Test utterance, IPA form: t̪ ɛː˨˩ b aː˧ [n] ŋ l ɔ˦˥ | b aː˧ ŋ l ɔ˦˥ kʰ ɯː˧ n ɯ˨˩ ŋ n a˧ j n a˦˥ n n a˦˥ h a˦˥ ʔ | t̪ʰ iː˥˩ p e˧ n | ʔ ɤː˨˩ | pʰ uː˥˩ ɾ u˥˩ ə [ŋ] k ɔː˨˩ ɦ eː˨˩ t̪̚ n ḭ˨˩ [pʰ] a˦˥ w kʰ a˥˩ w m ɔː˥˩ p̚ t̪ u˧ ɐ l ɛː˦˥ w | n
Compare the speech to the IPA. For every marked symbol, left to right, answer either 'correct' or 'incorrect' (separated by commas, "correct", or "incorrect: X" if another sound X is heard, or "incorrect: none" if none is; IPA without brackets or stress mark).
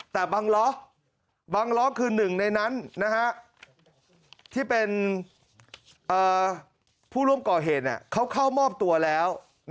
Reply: incorrect: none, incorrect: m, incorrect: kʰ